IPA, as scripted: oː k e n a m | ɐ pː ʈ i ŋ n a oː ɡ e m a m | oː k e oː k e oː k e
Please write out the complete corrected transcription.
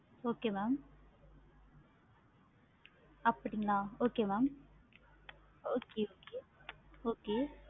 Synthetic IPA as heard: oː k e m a m | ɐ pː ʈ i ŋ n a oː k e m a m | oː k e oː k e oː k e